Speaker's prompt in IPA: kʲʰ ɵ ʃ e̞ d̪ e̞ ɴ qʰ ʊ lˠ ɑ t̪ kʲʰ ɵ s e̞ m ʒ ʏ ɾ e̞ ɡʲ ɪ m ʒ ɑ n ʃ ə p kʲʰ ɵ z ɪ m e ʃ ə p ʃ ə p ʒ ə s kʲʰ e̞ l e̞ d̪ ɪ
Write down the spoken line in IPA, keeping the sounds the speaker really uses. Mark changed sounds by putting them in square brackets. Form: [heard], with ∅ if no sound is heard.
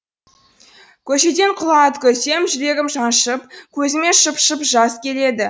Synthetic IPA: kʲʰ ɵ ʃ e̞ d̪ e̞ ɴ qʰ ʊ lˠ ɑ t̪ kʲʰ ɵ s e̞ m ʒ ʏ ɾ e̞ ɡʲ ɪ m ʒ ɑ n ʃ ə p kʲʰ ɵ z ɪ m e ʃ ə p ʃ ə p ʒ [ɑ] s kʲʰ e̞ l e̞ d̪ ɪ